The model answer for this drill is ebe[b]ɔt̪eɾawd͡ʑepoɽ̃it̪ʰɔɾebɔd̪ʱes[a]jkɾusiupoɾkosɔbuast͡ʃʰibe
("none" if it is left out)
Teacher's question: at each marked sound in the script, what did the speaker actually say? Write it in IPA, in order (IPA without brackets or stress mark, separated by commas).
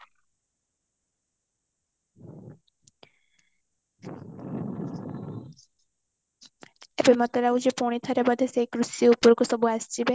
m, e